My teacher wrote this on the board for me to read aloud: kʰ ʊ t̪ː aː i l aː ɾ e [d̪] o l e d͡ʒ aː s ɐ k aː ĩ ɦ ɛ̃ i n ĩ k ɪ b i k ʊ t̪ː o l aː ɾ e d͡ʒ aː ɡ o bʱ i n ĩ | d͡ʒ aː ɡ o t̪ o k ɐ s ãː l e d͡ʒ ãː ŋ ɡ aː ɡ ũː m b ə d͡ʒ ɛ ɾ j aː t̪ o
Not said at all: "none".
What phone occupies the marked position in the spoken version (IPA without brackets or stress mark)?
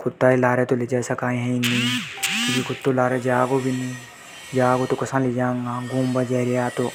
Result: t̪